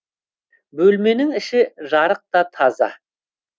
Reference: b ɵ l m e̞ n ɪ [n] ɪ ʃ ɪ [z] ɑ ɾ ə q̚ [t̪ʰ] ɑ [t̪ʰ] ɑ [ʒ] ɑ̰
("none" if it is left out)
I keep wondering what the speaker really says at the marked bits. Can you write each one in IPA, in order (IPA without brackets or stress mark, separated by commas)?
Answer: ŋ, ʒ, t̪, t̪ʰ, z